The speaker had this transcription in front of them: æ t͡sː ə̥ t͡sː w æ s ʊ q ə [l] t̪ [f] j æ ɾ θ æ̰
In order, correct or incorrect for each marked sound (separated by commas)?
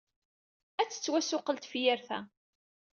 correct, correct